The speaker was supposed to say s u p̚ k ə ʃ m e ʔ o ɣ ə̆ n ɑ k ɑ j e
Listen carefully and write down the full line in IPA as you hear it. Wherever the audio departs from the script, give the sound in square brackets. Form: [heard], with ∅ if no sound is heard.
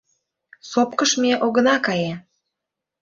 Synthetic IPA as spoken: s [o] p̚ k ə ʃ m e ʔ o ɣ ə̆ n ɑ k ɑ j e